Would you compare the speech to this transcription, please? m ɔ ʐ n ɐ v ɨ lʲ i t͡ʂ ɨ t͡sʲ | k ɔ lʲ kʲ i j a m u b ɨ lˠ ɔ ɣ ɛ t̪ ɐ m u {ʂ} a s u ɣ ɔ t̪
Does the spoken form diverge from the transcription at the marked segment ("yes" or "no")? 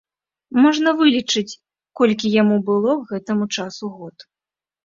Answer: yes